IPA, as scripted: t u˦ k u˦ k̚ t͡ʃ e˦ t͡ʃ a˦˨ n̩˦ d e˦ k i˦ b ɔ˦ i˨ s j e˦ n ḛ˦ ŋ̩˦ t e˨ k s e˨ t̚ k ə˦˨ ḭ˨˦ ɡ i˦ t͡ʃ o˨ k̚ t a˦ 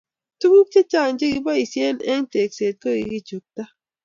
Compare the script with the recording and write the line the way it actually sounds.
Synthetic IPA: t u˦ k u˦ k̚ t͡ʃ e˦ t͡ʃ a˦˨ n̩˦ d͡ʒ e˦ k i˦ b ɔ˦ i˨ s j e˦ n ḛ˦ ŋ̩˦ t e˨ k s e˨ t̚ k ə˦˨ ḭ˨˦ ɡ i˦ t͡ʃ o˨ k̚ t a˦